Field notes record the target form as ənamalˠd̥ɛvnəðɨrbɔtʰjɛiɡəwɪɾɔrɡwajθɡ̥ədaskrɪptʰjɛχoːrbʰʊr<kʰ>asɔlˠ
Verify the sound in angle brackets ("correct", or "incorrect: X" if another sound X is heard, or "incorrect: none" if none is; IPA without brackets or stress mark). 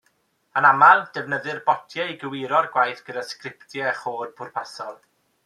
incorrect: pʰ